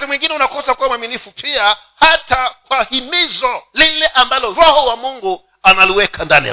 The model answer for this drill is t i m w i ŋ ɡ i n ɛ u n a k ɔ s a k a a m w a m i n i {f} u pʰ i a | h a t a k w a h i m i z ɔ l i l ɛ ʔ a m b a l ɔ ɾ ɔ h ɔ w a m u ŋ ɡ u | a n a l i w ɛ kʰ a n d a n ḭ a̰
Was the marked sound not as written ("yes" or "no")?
no